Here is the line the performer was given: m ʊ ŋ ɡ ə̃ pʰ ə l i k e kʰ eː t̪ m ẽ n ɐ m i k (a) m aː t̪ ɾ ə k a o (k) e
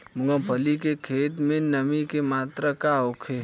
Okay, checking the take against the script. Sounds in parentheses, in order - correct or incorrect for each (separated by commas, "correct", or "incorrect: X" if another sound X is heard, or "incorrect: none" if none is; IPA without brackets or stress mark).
incorrect: e, incorrect: kʰ